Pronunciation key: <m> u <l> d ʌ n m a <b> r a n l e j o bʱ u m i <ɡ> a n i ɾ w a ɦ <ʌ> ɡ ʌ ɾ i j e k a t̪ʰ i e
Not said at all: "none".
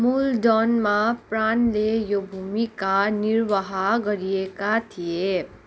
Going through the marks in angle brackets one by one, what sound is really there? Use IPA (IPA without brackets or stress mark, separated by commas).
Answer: m, l, p, k, a